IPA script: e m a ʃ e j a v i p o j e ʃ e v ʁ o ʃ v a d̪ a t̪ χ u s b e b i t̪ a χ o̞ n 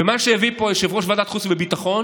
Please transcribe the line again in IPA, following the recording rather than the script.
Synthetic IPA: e m a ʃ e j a v i p o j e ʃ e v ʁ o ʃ v a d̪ a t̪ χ u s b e b i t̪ a χ o̞ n